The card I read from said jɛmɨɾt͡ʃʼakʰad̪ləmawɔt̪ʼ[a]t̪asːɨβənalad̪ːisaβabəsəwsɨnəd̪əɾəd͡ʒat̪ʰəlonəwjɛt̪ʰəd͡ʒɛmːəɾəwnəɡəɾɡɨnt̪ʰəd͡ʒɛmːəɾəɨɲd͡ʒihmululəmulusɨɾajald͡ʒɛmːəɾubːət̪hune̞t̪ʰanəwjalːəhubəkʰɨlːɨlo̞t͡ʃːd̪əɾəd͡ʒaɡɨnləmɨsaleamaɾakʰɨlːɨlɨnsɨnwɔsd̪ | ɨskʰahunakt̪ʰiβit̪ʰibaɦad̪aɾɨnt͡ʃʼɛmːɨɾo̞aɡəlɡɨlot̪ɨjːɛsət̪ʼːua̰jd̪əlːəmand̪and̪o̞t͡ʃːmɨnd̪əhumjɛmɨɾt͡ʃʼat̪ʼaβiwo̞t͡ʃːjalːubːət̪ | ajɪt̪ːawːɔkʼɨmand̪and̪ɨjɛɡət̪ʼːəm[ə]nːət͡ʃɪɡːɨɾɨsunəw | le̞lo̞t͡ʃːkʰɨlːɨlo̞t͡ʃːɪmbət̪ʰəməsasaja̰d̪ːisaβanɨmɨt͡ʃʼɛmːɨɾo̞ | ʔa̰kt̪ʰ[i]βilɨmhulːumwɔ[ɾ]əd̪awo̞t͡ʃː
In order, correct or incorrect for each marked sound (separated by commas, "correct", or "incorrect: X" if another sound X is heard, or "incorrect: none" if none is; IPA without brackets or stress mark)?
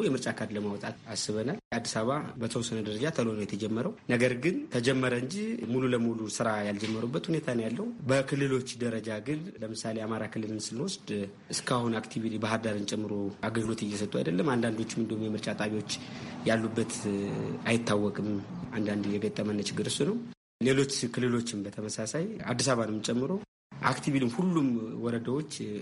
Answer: correct, correct, correct, correct